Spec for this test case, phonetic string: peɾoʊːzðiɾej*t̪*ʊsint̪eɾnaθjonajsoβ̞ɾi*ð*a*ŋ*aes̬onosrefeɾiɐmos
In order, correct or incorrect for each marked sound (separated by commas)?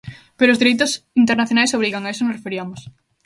correct, incorrect, correct